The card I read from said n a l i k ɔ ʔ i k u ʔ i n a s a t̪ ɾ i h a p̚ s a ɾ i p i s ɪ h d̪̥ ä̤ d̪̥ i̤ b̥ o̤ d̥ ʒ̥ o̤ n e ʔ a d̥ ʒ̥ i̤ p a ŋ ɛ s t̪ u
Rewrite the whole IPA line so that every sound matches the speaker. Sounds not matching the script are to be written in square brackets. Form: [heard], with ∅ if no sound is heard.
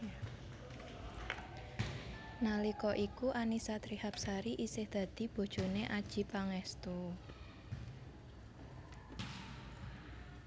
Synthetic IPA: n a l i k ɔ ʔ i k u ʔ [a] n [i] s a t̪ ɾ i h a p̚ s a ɾ i [ʔ] i s ɪ h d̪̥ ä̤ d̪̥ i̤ b̥ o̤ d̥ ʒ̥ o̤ n e ʔ a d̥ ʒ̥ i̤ p a ŋ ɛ s t̪ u

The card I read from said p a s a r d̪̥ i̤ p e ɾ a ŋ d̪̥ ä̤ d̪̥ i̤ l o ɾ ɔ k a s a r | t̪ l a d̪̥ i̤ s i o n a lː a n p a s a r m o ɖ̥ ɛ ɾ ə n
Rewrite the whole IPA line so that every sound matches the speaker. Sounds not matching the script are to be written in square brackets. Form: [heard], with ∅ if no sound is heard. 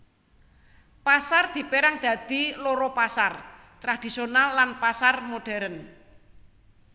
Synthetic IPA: p a s a r d̪̥ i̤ p e ɾ a ŋ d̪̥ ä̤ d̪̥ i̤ l o ɾ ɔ [p] a s a r | t̪ [ɾ] a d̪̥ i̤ s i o n a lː a n p a s a r m o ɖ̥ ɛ ɾ ə n

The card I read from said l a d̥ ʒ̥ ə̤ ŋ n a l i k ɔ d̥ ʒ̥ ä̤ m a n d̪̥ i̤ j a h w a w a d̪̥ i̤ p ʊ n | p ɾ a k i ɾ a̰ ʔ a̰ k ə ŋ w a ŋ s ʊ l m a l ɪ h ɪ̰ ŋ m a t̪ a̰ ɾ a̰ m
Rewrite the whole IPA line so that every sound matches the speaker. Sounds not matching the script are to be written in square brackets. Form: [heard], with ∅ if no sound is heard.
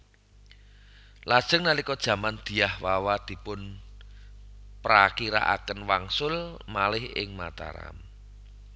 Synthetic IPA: l a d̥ ʒ̥ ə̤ ŋ n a l i k ɔ d̥ ʒ̥ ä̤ m a n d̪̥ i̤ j a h w a w a d̪̥ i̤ p ʊ n | p ɾ a k i ɾ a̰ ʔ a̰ k ə [n] w a ŋ s ʊ l m a l ɪ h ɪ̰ ŋ m a t̪ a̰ ɾ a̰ m

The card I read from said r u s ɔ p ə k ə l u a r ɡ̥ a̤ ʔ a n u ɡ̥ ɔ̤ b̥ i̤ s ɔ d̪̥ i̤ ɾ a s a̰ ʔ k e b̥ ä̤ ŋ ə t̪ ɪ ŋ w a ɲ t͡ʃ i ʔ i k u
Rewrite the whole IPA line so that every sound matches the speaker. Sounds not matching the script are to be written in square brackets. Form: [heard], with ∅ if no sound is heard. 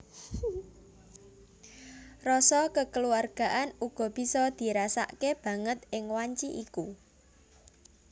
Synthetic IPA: r [ɔ] s ɔ [k] ə k ə l u a r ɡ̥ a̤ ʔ a n u ɡ̥ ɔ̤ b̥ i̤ s ɔ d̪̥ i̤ ɾ a s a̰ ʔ k e b̥ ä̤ ŋ ə t̪ ɪ ŋ w a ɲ t͡ʃ i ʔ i k u

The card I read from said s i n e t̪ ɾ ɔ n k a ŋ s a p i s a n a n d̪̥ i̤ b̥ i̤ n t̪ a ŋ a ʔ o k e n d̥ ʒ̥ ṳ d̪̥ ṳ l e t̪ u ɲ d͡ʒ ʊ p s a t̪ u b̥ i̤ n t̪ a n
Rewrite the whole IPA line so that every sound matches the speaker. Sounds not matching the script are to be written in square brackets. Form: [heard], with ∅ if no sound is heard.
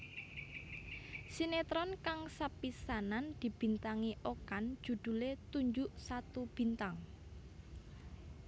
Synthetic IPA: s i n e t̪ ɾ ɔ n k a ŋ s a p i s a n a n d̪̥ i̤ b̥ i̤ n t̪ a ŋ [i] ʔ o k [a] n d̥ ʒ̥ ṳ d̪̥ ṳ l e t̪ u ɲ d͡ʒ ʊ [ʔ] s a t̪ u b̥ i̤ n t̪ a [ŋ]

